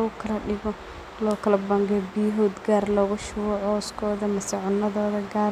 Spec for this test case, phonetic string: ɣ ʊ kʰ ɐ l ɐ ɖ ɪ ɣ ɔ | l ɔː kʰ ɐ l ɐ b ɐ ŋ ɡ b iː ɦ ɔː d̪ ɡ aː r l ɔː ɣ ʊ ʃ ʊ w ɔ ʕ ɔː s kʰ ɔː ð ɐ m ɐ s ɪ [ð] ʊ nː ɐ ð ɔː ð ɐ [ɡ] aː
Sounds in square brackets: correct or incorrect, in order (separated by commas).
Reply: incorrect, correct